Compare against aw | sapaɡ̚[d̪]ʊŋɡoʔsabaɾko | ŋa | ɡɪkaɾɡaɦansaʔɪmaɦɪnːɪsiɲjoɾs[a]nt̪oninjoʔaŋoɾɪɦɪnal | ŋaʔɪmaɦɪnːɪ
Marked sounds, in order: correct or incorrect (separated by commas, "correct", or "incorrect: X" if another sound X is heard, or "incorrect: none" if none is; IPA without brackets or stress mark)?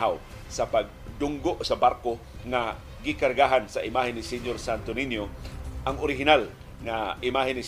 correct, correct